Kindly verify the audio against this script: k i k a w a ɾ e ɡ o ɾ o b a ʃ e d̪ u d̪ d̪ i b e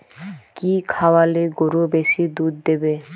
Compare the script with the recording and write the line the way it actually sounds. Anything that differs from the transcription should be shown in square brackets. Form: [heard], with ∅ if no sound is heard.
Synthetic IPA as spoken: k i [kʰ] a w a [l] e ɡ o ɾ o b [e] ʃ [i] d̪ u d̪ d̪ [e] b e